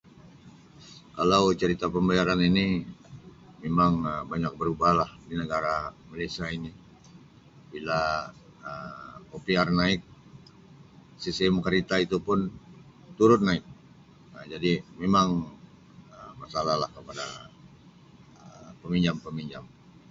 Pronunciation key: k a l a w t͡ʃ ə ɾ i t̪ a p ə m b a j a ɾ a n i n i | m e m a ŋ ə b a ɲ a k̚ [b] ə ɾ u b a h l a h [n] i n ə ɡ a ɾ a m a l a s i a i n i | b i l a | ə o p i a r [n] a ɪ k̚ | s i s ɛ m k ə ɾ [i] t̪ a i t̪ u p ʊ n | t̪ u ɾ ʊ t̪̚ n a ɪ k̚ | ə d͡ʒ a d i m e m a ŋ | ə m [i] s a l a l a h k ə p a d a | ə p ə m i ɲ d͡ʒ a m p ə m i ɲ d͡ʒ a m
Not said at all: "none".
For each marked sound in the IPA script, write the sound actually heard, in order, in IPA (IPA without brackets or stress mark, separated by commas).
b, d, n, i, a